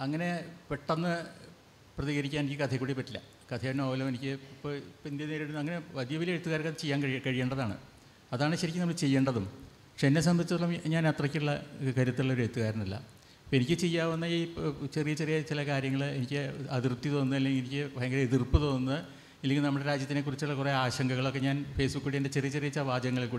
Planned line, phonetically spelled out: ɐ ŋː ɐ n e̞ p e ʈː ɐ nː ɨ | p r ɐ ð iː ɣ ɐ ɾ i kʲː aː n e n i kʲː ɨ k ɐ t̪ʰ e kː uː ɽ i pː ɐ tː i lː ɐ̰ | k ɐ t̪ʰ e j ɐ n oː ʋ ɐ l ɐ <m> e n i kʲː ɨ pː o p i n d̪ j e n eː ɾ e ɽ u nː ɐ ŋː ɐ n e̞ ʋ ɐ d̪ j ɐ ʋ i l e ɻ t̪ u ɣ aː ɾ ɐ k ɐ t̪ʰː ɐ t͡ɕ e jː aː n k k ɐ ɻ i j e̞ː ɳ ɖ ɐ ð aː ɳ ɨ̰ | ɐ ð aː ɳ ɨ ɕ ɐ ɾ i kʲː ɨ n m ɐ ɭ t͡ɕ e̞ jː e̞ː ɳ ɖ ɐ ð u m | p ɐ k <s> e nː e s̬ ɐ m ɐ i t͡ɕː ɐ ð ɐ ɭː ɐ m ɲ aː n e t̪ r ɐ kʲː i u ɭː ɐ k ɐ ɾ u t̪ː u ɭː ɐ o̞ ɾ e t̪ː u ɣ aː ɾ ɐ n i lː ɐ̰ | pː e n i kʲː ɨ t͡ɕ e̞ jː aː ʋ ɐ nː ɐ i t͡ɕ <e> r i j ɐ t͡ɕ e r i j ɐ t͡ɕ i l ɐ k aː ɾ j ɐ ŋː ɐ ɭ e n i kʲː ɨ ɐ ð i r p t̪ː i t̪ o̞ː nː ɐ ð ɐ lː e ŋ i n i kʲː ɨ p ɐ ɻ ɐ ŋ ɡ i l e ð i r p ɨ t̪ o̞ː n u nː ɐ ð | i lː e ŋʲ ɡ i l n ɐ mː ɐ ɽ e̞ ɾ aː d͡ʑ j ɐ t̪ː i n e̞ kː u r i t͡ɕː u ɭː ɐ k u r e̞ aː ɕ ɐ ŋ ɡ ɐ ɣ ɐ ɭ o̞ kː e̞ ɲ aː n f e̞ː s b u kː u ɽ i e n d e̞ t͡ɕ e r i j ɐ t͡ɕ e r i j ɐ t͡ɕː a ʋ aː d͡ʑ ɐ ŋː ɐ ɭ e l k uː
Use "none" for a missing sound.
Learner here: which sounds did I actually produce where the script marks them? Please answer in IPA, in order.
m, ʂ, e

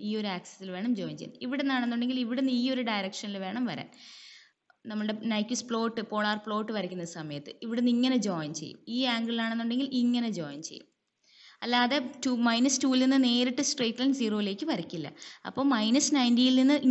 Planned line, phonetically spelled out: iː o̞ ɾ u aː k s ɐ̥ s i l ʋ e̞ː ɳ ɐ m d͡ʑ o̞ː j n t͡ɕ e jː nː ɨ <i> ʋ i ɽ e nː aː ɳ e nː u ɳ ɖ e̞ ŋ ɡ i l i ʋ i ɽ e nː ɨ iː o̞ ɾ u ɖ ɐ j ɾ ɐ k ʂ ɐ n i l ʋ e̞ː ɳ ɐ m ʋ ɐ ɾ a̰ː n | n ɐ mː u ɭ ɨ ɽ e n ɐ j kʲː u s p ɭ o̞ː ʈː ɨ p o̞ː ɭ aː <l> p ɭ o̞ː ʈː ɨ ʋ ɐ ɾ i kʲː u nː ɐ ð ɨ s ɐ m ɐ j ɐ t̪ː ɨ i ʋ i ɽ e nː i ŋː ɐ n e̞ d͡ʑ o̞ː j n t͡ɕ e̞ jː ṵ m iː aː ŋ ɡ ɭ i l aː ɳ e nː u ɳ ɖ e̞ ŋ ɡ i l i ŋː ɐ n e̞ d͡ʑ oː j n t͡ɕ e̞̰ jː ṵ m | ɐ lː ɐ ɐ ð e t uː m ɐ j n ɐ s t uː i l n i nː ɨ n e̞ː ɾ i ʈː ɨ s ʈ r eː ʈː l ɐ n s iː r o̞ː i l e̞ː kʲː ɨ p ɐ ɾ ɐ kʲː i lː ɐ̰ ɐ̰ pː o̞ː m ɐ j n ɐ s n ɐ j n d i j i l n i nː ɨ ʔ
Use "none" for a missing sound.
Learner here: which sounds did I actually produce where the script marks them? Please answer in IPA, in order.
i, r

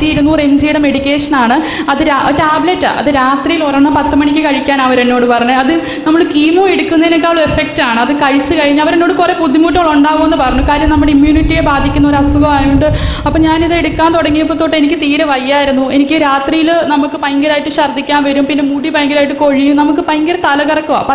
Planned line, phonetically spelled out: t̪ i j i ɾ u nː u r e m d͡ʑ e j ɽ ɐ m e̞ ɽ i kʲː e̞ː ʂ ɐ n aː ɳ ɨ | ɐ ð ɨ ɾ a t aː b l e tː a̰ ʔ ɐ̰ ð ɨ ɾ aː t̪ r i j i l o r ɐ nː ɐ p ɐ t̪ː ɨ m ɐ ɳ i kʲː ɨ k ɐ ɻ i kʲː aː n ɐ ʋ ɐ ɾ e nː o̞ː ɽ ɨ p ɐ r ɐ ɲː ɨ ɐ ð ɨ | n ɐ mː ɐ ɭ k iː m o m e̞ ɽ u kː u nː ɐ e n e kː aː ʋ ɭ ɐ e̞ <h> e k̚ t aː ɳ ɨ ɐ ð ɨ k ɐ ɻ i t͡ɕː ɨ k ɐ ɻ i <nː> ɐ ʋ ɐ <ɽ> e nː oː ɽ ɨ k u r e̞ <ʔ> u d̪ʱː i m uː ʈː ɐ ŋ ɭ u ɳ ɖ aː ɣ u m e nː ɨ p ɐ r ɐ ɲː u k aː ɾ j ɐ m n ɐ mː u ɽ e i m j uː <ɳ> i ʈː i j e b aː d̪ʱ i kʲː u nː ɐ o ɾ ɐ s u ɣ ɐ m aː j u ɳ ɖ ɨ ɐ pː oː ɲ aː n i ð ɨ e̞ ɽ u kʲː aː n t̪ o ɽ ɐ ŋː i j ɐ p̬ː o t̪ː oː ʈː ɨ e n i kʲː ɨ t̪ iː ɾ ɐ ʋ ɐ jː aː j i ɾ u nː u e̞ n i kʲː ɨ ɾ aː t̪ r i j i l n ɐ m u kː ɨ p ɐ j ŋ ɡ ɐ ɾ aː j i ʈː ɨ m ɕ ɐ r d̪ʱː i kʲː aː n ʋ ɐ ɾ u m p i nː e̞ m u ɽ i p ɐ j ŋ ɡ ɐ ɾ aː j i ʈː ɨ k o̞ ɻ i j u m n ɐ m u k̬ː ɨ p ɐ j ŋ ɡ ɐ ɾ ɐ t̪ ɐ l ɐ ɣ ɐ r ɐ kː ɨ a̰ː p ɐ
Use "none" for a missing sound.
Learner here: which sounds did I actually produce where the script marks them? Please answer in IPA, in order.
f, ɲː, ɾ, p, n

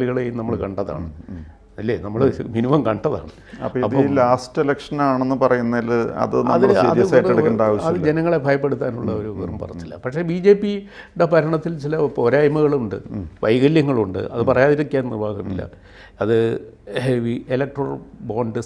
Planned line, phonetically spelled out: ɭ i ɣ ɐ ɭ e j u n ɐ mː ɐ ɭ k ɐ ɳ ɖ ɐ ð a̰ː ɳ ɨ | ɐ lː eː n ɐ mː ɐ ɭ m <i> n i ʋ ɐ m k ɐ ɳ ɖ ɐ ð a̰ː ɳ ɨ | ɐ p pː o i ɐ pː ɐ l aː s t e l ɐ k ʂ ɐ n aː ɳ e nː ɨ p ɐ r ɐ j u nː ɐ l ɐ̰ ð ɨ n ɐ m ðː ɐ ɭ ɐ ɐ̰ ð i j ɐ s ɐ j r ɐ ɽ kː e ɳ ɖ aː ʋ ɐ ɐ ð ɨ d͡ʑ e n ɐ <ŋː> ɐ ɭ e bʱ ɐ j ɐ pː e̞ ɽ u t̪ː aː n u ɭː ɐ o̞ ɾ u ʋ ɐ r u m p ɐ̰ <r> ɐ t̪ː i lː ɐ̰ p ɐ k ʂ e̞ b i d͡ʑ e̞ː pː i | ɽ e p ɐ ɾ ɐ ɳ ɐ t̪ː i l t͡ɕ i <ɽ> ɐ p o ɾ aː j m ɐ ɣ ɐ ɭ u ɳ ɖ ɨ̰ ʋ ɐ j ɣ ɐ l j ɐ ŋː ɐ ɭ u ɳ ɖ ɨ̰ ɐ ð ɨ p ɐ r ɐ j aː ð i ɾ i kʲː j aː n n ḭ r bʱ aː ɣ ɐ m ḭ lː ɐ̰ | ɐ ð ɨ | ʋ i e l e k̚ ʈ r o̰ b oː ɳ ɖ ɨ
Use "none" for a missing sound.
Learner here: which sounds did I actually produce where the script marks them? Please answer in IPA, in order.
i, ŋː, r, l

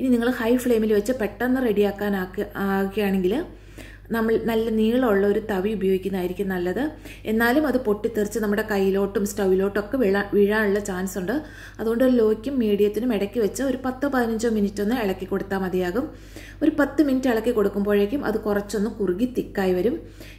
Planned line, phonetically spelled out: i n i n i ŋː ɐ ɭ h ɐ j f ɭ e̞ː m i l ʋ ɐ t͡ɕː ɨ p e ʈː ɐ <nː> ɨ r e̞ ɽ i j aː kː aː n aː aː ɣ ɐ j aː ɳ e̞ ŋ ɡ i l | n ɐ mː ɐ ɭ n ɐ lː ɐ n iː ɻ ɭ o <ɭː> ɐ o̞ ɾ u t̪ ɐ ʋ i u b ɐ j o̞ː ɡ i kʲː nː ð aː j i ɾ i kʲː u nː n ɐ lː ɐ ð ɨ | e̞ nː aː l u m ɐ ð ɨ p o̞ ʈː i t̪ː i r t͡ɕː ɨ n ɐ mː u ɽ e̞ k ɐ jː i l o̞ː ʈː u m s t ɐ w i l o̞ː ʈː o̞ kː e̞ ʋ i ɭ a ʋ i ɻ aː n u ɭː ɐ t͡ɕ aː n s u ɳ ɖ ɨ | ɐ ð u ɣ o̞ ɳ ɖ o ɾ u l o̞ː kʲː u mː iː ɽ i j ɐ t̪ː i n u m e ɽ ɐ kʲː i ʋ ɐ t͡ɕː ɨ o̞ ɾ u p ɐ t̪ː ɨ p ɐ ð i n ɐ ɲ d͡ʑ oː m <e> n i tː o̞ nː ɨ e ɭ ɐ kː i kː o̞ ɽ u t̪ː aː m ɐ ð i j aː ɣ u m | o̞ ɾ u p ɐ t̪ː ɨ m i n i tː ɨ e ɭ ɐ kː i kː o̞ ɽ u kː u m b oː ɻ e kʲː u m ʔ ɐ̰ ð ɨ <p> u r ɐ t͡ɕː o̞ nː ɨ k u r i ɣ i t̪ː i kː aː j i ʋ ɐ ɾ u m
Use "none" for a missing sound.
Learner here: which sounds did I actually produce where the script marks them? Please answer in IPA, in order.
nː, ɭː, i, k

